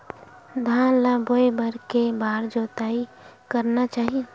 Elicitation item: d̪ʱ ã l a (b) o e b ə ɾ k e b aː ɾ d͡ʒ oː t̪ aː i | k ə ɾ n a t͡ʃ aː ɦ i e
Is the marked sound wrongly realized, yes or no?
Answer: no